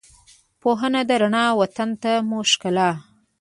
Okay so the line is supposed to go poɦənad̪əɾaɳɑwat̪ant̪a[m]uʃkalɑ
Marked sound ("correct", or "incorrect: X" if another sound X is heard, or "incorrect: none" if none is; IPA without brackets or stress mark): correct